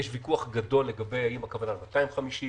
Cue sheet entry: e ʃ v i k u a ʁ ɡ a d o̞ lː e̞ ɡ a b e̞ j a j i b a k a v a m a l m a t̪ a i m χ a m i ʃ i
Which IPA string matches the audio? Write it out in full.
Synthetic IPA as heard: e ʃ v i k u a χ ɡ a d o̞ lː e̞ ɡ a b e̞ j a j i m a k a v a n a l m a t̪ a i m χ a m i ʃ i